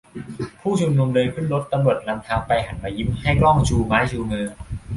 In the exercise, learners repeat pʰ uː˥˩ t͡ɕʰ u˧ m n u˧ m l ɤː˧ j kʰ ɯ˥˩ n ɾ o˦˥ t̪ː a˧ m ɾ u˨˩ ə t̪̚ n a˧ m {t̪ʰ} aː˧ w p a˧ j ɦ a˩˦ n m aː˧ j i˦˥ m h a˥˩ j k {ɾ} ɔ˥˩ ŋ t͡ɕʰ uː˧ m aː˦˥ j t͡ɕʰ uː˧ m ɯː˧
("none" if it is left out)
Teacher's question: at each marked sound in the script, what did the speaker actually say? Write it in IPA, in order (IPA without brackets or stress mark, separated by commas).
t̪ʰ, l